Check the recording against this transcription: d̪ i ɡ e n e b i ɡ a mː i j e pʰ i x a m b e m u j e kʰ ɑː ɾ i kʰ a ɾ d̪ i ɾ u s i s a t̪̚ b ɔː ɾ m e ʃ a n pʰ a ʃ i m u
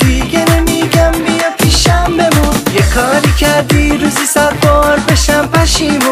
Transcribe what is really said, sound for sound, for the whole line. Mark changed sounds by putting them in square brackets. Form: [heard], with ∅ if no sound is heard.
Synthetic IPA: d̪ i ɡ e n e [m] i ɡ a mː i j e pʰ i [ʃ] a m b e m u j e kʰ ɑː ɾ i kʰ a ɾ d̪ i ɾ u [z] i s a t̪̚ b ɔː ɾ [b] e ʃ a [m] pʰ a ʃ i m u